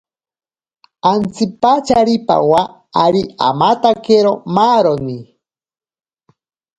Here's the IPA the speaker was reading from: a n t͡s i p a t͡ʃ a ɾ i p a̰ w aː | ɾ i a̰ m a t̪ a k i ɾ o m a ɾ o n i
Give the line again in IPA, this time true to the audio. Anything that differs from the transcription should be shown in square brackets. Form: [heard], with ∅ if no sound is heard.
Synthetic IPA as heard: a n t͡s i p a t͡ʃ a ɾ i p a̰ w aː | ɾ i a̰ m a t̪ a k [e] ɾ o m a ɾ o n i

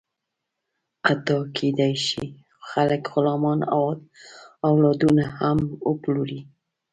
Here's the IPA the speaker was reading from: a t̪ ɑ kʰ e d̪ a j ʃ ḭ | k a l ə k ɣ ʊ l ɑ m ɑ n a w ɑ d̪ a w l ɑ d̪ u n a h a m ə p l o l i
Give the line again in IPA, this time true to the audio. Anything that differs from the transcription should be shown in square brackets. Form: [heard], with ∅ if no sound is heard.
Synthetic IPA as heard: a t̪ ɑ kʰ e d̪ a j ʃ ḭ | [x] a l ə k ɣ ʊ l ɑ m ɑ n a w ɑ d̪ a w l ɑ d̪ u n a h a m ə p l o [ɾ] i

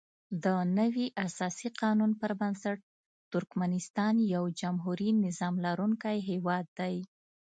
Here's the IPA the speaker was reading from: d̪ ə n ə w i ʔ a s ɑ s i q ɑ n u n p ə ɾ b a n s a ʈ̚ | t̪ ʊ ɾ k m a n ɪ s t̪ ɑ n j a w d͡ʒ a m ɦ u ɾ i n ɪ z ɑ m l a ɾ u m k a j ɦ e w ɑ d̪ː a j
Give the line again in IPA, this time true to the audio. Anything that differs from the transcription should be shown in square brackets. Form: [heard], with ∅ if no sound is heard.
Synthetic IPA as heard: d̪ ə n ə w i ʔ a s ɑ s i q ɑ n u n p ə ɾ b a n s a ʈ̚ | t̪ ʊ ɾ k m a n ɪ s t̪ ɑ n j a w d͡ʒ a m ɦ u ɾ i n ɪ z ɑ m l a ɾ u [ŋ] k a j ɦ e w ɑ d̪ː a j

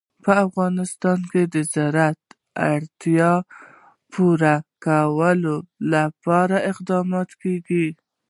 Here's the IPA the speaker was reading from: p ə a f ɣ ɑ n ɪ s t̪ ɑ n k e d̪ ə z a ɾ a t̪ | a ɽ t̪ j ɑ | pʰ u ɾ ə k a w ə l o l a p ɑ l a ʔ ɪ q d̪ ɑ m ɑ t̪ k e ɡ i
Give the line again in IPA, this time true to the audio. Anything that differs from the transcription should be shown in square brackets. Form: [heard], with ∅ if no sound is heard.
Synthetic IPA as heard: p ə a f ɣ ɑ n ɪ s t̪ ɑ n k e d̪ ə z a ɾ a t̪ | a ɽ t̪ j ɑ | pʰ u ɾ [a] k a w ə l o l a p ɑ [ɾ] a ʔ ɪ q d̪ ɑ m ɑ t̪ k e ɡ i

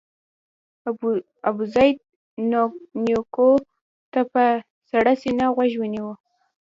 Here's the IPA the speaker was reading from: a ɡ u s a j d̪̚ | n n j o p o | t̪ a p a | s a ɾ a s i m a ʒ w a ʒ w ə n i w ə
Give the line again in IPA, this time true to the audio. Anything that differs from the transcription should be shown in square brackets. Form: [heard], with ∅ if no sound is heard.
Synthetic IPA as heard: a [b] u [z] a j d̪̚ | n n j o [k] o | t̪ a p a | s a [ɽ] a s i [n] a [ɣ] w a ʒ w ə n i w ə

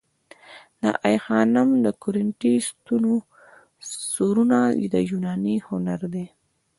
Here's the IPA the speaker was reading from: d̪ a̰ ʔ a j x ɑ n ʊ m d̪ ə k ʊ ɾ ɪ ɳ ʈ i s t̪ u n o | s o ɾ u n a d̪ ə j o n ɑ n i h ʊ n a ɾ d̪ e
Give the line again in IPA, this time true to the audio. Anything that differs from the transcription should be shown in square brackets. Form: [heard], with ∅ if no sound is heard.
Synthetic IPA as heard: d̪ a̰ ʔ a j x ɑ n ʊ m d̪ ə k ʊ ɾ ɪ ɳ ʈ i s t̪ u n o | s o ɾ u n a d̪ ə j [u] n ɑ n i h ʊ n a ɾ d̪ e

